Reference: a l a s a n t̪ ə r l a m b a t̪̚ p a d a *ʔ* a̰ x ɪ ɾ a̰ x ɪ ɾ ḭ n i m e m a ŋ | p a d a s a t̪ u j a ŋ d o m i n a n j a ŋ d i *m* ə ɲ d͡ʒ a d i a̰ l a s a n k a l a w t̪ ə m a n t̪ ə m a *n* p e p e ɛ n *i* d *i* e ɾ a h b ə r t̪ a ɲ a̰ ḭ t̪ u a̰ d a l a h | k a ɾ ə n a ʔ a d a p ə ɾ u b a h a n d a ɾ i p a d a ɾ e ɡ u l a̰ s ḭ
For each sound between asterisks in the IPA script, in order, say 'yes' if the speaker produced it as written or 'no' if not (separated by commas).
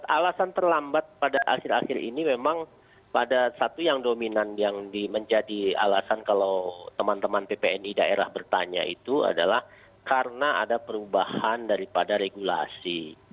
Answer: yes, yes, yes, yes, no